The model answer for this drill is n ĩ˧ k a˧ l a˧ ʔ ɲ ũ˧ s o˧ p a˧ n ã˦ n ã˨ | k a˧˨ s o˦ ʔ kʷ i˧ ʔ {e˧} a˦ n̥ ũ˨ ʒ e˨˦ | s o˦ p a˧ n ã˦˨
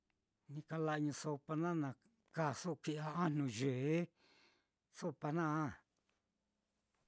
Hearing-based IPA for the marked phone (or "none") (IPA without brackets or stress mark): a˧